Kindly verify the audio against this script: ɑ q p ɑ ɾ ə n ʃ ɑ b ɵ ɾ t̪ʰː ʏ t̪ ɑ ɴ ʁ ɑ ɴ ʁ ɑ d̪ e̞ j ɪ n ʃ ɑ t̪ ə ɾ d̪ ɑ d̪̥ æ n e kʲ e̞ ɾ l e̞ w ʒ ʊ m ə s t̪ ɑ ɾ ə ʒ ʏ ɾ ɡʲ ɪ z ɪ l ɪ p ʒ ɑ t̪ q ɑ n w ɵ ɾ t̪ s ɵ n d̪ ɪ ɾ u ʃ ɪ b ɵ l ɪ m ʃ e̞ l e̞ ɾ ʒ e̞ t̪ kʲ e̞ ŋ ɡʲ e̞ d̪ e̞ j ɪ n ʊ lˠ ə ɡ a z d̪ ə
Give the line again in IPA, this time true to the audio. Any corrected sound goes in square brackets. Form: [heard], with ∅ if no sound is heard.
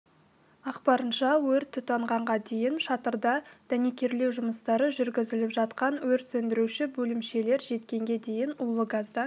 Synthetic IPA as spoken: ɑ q p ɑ ɾ ə n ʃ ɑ [w] ɵ ɾ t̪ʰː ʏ t̪ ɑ ɴ ʁ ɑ ɴ ʁ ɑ d̪ e̞ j ɪ n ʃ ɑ t̪ ə ɾ d̪ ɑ d̪̥ æ n e kʲ e̞ ɾ l e̞ w ʒ ʊ m ə s t̪ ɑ ɾ ə ʒ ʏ ɾ ɡʲ ɪ z ɪ l ɪ p ʒ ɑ t̪ q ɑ n w ɵ ɾ t̪ s ɵ n d̪ ɪ ɾ u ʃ ɪ b ɵ l ɪ m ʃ e̞ l e̞ ɾ ʒ e̞ t̪ kʲ e̞ ŋ ɡʲ e̞ d̪ e̞ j ɪ n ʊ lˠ ə ɡ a z d̪ [ɑ]